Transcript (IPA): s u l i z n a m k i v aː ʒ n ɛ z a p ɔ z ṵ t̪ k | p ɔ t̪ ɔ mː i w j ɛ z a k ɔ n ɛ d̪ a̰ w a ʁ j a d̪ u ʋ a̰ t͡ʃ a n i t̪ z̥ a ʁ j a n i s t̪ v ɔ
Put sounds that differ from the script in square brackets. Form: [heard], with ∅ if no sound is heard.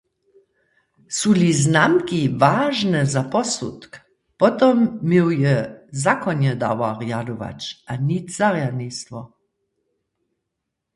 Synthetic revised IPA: s u l i z n a m k i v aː ʒ n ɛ z a p ɔ [s] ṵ t̪ k | p ɔ t̪ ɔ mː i w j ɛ z a k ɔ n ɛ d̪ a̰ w a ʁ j a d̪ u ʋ a̰ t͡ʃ a n i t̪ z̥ a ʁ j a n i s t̪ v ɔ